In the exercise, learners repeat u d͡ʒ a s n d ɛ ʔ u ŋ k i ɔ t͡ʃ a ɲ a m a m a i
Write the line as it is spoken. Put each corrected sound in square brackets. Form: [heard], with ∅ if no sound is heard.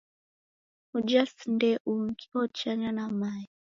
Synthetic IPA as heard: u d͡ʒ a s n d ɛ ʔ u ŋ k i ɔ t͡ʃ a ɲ a [n] a m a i